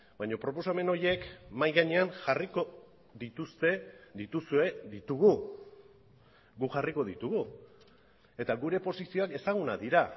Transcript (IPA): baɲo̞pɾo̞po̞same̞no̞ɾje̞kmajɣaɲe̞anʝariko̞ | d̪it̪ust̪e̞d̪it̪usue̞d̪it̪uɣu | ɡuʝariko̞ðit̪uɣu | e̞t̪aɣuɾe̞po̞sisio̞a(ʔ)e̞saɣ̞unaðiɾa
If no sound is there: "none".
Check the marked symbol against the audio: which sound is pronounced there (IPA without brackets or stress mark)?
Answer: k